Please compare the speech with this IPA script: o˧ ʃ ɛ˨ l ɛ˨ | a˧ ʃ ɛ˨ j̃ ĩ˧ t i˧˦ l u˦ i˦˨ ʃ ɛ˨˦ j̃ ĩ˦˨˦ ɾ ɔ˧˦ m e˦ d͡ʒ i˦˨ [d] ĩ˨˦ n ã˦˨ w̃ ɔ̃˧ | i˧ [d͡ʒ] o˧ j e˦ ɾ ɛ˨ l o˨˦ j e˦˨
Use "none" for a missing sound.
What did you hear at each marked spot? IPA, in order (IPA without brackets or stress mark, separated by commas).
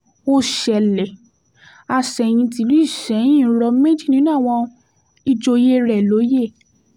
n, d͡ʒ